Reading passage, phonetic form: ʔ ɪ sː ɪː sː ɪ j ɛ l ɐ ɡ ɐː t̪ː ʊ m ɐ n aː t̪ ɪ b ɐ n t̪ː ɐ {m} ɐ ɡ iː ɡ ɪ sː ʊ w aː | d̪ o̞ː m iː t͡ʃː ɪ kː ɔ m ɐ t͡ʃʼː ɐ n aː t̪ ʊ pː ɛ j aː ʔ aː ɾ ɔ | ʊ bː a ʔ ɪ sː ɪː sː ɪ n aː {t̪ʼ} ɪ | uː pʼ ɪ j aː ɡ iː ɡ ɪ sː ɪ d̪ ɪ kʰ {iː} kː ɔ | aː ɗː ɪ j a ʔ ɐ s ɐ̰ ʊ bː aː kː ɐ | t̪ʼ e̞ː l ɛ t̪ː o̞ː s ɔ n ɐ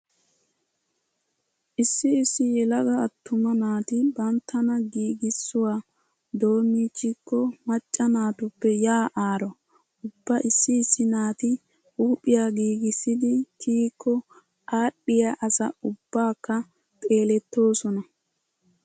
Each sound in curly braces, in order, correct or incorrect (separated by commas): incorrect, incorrect, correct